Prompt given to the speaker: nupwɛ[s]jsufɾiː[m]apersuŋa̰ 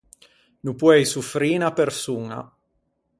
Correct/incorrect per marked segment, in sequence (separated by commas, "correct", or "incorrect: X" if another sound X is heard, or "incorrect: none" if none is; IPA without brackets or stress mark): incorrect: none, incorrect: n